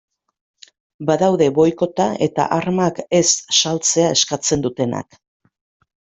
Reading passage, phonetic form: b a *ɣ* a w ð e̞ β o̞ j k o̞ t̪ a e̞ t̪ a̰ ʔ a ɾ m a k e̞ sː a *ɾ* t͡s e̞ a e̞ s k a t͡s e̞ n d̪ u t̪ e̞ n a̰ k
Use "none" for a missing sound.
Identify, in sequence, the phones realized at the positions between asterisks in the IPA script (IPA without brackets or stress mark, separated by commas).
ð, l